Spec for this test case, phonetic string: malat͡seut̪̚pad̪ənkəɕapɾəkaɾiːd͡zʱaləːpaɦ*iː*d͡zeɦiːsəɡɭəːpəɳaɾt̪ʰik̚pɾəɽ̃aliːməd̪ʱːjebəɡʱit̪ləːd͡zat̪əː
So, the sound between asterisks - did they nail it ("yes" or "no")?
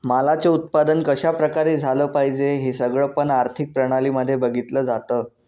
no